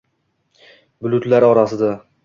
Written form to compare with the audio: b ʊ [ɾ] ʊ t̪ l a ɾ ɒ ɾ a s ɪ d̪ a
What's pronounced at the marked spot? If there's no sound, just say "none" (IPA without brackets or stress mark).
l